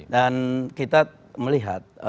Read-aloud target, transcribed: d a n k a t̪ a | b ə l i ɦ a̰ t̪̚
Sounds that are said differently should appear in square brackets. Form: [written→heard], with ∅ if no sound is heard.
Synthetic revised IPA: d a n k [a→i] t̪ a | [b→m] ə l i ɦ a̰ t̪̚